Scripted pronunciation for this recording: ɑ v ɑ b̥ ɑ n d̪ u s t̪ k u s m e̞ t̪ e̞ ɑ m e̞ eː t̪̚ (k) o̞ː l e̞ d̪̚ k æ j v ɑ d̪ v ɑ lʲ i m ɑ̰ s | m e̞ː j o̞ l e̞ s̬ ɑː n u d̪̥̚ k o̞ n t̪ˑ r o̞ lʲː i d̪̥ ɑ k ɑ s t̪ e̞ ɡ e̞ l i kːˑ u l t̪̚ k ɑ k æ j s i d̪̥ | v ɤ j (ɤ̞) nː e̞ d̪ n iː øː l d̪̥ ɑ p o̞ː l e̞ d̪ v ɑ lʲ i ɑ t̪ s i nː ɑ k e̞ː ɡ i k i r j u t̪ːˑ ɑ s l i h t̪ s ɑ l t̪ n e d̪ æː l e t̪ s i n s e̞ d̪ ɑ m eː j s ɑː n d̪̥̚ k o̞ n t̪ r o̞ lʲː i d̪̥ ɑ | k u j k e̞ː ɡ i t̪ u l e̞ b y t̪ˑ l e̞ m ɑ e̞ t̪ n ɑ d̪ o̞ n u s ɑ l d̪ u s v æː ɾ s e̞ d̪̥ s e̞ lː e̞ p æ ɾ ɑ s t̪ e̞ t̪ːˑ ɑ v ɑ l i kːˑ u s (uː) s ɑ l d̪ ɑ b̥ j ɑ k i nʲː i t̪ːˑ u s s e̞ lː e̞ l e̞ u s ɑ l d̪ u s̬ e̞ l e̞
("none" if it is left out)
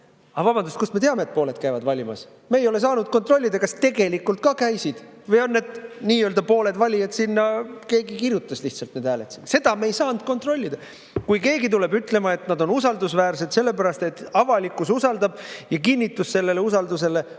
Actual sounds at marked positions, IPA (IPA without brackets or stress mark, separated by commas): p, o̞, u